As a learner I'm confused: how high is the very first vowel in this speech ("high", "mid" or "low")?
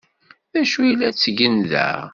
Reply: low